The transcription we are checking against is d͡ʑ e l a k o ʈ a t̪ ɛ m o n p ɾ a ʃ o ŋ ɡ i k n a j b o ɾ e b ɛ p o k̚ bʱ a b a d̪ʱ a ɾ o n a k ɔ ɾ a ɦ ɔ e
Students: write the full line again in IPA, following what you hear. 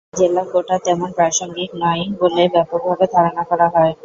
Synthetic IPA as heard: d͡ʑ e l a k o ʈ a t̪ ɛ m o n p ɾ a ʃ o ŋ ɡ i k n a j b o l e b ɛ p o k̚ bʱ a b e d̪ʱ a ɾ o n a k ɔ ɾ a ɦ ɔ e